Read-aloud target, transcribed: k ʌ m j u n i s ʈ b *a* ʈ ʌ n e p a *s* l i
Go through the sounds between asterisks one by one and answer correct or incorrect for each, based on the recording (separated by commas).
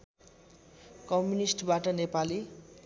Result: correct, incorrect